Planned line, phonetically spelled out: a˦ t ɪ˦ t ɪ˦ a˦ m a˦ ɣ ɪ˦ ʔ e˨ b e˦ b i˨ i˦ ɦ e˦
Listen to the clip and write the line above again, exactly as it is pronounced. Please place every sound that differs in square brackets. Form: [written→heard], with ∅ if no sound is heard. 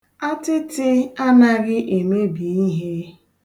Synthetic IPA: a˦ t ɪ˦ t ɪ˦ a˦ [m→n] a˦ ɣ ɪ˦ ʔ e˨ [b→m] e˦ b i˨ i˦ ɦ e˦